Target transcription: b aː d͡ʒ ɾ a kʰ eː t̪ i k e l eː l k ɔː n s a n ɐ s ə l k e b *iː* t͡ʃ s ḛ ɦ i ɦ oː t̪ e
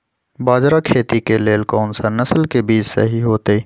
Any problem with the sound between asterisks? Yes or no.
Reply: no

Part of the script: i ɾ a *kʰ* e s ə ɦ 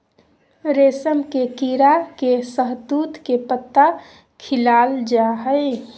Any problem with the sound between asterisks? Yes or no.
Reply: yes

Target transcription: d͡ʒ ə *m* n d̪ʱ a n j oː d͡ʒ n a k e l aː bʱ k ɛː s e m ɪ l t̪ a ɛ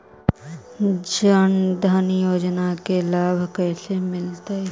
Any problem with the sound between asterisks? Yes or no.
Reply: yes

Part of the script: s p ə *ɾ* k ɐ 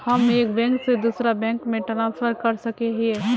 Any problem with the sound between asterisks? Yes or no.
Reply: no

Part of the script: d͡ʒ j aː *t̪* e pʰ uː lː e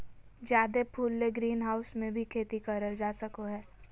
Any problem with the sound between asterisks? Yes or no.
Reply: yes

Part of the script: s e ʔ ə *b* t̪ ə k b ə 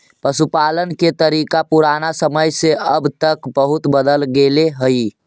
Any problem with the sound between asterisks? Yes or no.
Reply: no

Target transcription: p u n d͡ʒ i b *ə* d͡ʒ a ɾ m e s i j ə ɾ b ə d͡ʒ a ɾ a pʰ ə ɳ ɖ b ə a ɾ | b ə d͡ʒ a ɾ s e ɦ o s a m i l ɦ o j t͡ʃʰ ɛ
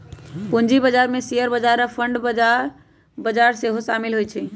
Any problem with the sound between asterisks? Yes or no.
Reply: no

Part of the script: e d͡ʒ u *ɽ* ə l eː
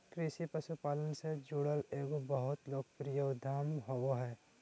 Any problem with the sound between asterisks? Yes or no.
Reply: no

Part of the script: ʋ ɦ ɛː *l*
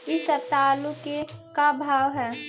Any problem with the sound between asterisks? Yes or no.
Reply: yes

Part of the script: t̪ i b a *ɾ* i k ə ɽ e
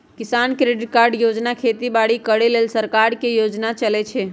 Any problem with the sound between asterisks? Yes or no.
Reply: yes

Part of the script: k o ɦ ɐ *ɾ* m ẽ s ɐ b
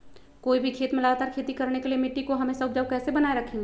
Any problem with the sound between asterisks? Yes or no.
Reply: yes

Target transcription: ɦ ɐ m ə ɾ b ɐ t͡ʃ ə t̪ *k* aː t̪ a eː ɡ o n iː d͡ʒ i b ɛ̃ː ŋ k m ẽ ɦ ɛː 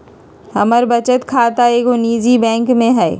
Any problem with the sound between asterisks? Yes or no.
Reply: yes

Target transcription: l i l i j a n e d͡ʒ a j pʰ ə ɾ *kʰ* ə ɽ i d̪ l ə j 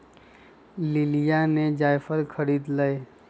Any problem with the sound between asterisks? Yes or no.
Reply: no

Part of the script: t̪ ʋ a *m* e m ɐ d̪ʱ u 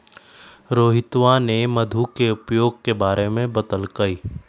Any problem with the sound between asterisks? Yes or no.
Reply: yes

